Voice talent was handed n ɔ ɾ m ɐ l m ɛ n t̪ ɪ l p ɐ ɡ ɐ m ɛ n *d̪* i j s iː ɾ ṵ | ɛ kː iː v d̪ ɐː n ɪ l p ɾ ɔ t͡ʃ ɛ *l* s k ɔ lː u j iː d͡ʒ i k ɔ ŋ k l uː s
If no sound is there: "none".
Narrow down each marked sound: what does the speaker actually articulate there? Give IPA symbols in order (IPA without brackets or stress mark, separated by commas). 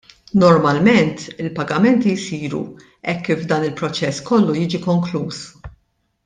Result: t̪, none